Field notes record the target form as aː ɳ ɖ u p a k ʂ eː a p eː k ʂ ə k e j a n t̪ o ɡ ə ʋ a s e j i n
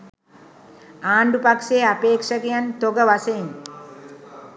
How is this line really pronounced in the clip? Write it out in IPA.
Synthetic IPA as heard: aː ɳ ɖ u p a k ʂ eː a p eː k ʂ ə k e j a n t̪ o ɡ ə ʋ a s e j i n